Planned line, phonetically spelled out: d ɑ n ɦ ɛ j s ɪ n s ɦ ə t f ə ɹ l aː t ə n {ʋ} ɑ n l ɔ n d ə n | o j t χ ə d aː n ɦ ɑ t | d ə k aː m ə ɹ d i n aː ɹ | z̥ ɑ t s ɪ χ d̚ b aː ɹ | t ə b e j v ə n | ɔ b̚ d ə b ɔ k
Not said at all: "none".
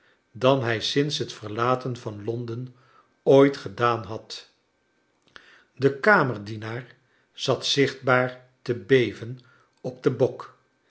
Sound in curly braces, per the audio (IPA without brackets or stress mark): v